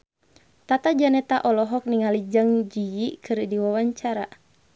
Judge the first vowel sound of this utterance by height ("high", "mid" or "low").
low